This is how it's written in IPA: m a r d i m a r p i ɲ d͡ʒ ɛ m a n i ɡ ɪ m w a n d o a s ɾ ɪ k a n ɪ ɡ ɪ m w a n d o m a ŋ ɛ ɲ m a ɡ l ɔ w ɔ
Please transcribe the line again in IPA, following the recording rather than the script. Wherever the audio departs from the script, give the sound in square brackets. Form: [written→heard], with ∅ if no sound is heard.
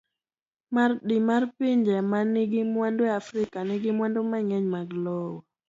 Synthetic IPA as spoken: m a r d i m a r p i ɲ d͡ʒ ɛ m a n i ɡ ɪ m w a n d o a [s→f] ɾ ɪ k a n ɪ ɡ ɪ m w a n d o m a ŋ ɛ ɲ m a ɡ l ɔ w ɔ